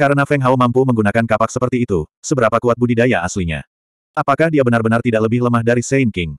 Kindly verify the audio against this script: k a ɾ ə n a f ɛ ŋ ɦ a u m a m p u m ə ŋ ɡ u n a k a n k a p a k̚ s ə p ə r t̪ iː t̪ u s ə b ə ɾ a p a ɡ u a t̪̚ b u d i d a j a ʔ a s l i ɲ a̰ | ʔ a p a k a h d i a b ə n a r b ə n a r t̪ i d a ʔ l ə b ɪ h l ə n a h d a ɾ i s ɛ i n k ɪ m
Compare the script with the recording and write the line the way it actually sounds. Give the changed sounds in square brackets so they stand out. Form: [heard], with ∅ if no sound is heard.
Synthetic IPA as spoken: k a ɾ ə n a f ɛ ŋ ɦ a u m a m p u m ə ŋ ɡ u n a k a n k a p a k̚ s ə p ə r t̪ iː t̪ u s ə b ə ɾ a p a [k] u a t̪̚ b u d i d a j a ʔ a s l i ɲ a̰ | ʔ a p a k a h d i a b ə n a r b ə n a r t̪ i d a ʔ l ə b ɪ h l ə [m] a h d a ɾ i s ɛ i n k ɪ [ŋ]